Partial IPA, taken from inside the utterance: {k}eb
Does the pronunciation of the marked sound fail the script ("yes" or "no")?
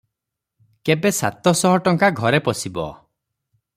no